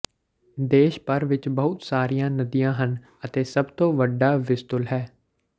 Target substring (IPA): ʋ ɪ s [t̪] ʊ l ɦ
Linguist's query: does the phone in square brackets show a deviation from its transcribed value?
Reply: no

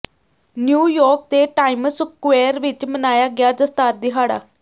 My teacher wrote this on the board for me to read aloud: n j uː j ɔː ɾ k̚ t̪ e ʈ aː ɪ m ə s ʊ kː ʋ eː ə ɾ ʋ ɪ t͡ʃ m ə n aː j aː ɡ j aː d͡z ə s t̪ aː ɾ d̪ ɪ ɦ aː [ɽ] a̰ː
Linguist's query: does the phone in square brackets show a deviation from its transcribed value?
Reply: no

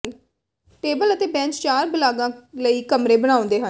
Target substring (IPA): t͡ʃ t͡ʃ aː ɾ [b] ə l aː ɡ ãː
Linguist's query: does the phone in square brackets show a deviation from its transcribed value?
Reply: no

